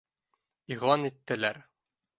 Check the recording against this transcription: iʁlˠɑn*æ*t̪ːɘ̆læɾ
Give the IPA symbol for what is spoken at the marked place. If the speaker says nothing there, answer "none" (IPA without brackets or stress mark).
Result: i